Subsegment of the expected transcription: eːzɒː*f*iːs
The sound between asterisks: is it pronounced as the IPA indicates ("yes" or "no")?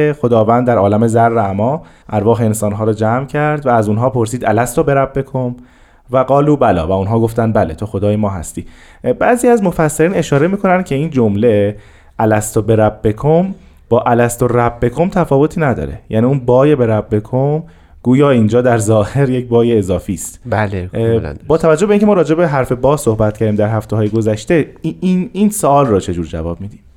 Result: yes